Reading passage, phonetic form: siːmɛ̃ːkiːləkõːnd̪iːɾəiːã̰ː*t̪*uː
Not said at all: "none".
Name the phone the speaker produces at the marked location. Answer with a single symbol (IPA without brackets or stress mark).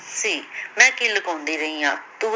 t̪